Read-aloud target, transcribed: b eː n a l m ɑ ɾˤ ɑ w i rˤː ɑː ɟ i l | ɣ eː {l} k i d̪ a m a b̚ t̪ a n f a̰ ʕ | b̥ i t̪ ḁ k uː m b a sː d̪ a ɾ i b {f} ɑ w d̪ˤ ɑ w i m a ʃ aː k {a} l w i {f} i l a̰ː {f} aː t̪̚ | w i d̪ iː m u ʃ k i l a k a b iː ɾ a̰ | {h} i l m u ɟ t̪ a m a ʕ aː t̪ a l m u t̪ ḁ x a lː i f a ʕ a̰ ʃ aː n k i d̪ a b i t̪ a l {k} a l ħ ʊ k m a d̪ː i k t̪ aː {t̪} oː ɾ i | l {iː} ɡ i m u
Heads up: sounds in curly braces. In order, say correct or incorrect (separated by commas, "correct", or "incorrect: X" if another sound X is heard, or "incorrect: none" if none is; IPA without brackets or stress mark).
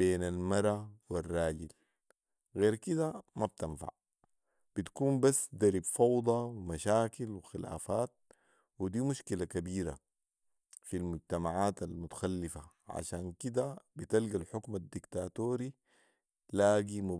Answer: incorrect: ɾ, correct, incorrect: i, incorrect: x, correct, incorrect: f, incorrect: ɡ, correct, incorrect: aː